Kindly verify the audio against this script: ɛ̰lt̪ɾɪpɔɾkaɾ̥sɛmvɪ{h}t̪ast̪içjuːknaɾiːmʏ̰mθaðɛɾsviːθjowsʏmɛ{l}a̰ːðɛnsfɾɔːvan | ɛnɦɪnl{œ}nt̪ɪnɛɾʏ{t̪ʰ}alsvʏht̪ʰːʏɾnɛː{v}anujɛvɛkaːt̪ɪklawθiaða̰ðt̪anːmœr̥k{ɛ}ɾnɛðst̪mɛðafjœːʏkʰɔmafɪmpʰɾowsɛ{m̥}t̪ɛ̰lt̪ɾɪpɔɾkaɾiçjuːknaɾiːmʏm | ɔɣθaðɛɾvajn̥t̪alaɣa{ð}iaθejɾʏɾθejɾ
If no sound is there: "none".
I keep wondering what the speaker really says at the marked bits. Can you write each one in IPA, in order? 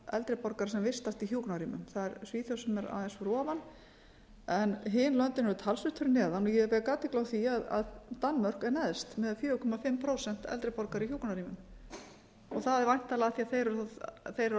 s, ɾ, œ, t̪ʰ, ð, ɛ, n̥, θ

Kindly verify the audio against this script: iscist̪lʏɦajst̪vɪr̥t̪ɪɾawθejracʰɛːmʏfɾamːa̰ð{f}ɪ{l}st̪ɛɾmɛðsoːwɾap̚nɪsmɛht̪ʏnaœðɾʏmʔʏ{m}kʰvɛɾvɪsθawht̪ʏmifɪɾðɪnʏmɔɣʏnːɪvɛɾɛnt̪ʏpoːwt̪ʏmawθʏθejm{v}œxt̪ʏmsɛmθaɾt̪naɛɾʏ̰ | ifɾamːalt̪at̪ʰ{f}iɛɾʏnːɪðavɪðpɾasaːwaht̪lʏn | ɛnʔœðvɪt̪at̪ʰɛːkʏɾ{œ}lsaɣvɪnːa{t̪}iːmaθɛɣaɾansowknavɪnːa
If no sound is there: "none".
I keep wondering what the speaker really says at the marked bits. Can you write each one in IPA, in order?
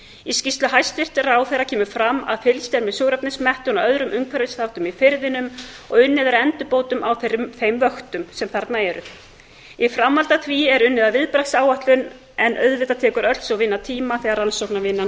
f, l, ŋ, v, v, œ, t̪ʰ

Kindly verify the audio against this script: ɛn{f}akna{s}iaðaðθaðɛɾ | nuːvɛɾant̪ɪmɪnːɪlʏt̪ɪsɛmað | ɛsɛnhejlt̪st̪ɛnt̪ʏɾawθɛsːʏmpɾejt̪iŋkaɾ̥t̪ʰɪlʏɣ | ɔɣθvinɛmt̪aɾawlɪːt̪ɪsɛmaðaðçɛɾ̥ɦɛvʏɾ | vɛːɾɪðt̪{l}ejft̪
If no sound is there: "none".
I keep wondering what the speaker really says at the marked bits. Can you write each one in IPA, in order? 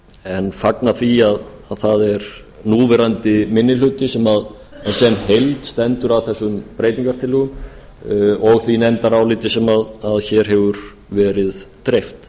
f, θ, ɾ

